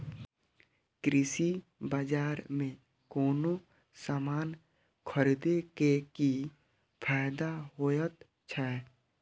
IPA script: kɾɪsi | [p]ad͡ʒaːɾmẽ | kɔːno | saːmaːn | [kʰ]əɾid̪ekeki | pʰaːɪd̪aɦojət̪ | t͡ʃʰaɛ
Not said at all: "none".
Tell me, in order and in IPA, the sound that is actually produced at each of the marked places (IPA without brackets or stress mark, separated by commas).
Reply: b, kʰ